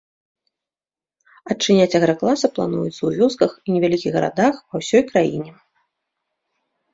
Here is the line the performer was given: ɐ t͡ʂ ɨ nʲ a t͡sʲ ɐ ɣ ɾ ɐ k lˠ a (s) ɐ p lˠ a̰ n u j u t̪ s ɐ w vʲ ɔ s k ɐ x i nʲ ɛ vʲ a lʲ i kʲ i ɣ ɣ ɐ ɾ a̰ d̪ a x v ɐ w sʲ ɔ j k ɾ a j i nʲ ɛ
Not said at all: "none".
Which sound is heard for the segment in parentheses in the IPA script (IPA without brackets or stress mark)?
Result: s